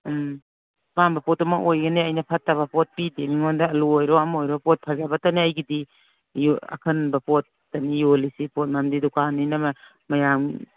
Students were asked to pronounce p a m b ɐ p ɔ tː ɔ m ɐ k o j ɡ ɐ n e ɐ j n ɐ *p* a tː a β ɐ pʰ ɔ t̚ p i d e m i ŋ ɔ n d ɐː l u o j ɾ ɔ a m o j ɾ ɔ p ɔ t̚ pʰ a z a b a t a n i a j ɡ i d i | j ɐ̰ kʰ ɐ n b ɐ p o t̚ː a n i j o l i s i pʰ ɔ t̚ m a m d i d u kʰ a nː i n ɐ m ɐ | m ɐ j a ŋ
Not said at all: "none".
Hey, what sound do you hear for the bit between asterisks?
pʰ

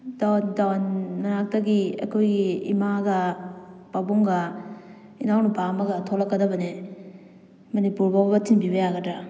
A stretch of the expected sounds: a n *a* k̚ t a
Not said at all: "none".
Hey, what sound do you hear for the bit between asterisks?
a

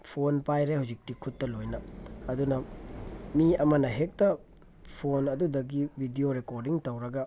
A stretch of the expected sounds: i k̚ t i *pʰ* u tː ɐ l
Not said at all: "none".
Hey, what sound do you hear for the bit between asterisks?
kʰ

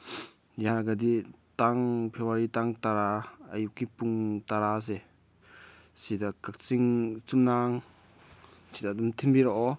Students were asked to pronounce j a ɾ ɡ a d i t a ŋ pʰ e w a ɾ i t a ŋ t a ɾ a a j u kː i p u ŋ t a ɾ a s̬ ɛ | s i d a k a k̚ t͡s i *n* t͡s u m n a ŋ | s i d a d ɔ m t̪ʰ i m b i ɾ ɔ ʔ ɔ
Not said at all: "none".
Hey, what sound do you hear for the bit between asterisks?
ŋ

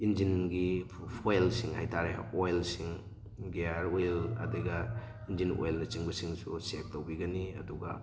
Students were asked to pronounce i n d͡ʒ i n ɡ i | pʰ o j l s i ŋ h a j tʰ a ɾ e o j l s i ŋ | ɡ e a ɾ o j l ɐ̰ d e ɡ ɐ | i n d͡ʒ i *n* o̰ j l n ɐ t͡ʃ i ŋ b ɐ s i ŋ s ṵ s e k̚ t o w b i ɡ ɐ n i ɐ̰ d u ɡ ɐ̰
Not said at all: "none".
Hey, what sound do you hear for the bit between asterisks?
n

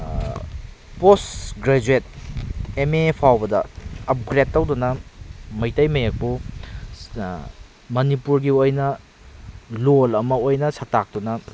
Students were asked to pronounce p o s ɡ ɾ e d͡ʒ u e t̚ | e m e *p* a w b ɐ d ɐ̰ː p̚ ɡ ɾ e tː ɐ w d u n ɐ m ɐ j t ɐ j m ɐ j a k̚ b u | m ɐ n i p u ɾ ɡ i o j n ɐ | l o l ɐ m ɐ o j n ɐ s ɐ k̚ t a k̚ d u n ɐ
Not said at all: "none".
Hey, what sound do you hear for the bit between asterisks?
pʰ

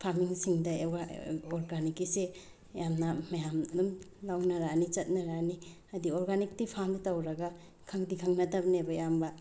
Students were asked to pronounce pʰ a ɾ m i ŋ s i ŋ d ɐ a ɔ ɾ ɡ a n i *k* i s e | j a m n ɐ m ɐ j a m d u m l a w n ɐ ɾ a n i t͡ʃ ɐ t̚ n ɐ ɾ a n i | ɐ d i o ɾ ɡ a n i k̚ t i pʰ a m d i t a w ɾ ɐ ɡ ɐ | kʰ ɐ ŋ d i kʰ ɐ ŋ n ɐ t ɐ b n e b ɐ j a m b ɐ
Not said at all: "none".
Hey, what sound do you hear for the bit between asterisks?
k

